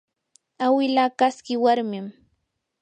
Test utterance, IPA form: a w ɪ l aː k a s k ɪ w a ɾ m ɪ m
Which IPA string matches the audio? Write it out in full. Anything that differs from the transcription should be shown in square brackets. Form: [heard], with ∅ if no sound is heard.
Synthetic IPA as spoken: a w ɪ l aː k a s k ɪ w a ɾ m ɪ m